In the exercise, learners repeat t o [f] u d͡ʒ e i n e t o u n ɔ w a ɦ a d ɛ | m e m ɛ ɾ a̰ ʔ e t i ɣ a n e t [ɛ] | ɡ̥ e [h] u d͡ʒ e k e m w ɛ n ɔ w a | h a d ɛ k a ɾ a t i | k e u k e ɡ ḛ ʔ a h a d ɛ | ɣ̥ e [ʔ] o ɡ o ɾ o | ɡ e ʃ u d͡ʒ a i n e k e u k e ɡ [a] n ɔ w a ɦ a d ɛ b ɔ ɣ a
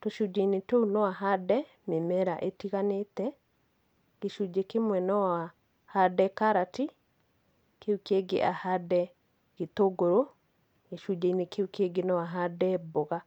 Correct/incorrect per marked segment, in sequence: incorrect: ʃ, correct, incorrect: ʃ, incorrect: t, incorrect: e

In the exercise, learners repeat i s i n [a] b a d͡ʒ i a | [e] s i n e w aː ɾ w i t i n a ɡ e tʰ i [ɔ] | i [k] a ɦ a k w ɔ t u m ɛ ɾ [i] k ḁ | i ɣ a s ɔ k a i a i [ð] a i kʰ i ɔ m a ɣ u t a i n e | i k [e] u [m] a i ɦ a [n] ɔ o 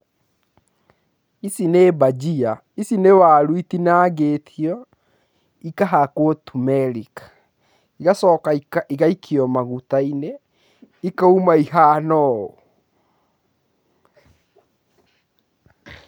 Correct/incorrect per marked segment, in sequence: incorrect: e, incorrect: i, correct, correct, correct, incorrect: ɣ, incorrect: a, correct, correct

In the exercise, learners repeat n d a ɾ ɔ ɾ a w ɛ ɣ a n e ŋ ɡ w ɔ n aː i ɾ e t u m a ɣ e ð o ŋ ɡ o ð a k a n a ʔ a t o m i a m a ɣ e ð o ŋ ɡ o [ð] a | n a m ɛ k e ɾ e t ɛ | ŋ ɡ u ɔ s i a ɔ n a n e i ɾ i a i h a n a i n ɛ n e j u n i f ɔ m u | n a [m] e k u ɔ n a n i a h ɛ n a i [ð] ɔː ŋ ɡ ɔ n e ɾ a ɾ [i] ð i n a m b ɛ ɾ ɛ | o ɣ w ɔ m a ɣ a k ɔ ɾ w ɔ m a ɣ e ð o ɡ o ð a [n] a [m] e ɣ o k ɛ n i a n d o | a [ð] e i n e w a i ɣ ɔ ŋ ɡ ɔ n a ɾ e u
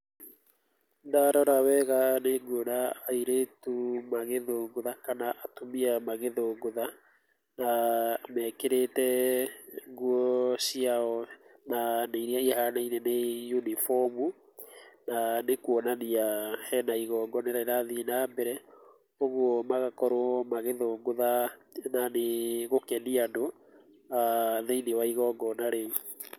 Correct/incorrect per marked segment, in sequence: correct, incorrect: n, incorrect: ɣ, incorrect: a, correct, incorrect: n, correct

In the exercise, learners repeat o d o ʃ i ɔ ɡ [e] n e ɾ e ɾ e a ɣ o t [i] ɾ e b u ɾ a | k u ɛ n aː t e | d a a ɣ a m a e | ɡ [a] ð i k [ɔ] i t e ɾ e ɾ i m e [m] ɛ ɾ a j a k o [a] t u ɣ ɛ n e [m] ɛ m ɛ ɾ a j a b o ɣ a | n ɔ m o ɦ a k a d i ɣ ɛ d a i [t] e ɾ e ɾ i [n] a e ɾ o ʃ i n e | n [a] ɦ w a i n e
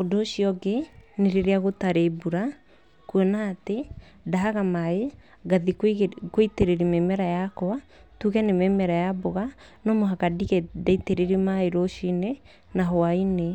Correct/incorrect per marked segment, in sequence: correct, incorrect: a, correct, incorrect: o, correct, correct, correct, correct, incorrect: m, correct

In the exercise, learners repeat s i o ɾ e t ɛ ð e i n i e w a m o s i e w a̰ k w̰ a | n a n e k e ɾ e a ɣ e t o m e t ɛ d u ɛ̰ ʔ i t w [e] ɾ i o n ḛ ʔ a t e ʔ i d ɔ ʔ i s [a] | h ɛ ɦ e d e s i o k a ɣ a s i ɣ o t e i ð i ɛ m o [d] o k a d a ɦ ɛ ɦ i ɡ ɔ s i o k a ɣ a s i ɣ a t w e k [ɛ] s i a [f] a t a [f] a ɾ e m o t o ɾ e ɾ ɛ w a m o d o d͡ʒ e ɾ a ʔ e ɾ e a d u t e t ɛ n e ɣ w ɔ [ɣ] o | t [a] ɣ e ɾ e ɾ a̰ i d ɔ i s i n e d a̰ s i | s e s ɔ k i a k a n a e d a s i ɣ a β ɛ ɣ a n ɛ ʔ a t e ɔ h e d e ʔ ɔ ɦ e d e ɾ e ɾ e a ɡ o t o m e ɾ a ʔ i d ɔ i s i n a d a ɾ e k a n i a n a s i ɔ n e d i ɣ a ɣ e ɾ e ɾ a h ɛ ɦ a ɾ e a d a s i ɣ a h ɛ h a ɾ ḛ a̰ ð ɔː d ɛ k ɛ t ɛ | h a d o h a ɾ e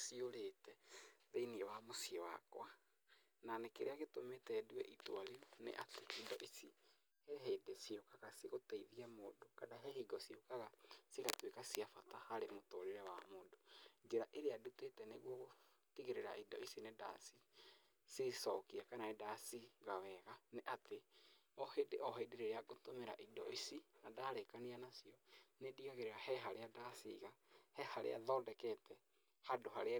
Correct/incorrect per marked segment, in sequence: incorrect: a, incorrect: i, correct, incorrect: a, correct, incorrect: h, correct, incorrect: i

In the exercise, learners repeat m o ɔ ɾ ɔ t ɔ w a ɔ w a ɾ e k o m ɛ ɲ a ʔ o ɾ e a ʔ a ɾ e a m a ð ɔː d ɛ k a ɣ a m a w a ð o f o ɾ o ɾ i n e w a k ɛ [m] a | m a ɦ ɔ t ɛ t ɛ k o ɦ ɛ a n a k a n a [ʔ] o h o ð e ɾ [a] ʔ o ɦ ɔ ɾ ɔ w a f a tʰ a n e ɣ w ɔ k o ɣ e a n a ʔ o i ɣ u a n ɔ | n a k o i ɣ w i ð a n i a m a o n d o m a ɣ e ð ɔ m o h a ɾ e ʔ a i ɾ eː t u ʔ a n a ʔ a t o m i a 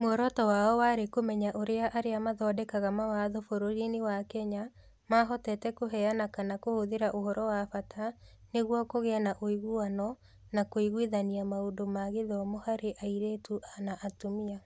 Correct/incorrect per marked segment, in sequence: incorrect: ɲ, incorrect: k, correct

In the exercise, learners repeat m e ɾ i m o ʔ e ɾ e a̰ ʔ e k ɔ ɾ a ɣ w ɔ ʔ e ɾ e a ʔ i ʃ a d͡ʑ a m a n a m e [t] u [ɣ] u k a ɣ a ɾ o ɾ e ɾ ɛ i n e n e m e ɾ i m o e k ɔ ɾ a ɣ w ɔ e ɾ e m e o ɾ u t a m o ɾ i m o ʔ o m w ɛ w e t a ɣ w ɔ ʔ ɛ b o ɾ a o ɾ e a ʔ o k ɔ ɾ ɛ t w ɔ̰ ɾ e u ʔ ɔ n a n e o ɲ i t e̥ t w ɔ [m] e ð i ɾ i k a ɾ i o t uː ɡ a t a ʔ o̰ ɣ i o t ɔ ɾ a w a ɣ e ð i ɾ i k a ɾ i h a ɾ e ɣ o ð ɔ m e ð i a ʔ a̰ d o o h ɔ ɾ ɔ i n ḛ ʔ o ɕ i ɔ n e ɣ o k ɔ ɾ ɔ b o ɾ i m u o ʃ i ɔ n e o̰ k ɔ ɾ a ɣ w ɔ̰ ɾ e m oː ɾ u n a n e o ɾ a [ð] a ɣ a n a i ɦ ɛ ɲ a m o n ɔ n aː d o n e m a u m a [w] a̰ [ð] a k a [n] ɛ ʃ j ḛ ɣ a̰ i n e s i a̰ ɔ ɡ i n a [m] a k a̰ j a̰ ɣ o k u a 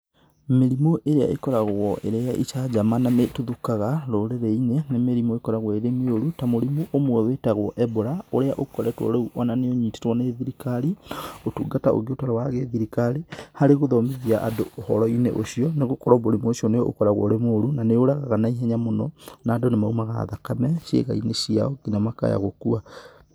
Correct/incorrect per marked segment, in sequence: correct, incorrect: ð, incorrect: n, incorrect: ɣ, incorrect: ɣ, correct, incorrect: m, correct

